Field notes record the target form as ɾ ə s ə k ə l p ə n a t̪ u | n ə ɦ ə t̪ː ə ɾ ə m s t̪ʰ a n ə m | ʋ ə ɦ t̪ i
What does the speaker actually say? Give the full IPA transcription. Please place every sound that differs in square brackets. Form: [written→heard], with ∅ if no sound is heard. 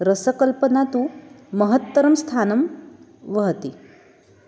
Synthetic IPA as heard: ɾ ə s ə k ə l p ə n a t̪ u | [n→m] ə ɦ ə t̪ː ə ɾ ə m s t̪ʰ a n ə m | ʋ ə ɦ t̪ i